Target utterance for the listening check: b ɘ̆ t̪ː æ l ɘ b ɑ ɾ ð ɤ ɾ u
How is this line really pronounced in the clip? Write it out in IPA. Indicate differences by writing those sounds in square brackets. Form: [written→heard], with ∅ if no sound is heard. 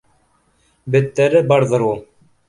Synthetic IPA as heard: b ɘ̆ t̪ː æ [l→ɾ] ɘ b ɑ ɾ ð ɤ ɾ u